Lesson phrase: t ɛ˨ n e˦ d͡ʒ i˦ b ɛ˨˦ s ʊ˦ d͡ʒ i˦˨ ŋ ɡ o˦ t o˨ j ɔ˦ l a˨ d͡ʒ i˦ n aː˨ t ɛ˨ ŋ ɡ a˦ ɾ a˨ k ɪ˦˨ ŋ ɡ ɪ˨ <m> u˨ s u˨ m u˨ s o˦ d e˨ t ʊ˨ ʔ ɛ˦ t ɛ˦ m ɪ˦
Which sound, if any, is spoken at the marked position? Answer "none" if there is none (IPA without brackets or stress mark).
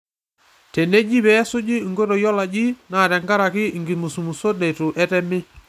m